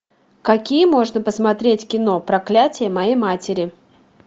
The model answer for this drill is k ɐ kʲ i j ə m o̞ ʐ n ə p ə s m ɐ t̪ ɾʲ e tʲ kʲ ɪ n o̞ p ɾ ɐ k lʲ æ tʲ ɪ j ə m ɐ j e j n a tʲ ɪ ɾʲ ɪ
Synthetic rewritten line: k ɐ kʲ i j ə m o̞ ʐ n ə p ə s m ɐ t̪ ɾʲ e tʲ kʲ ɪ n o̞ p ɾ ɐ k lʲ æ tʲ ɪ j ə m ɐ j e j m a tʲ ɪ ɾʲ ɪ